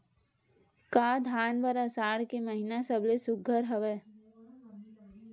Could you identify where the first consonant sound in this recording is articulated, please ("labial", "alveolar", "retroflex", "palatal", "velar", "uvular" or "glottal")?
velar